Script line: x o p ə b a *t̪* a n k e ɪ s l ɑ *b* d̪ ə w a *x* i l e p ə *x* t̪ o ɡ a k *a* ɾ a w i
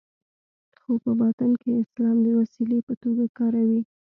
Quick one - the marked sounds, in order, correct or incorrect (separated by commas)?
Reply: correct, incorrect, incorrect, incorrect, incorrect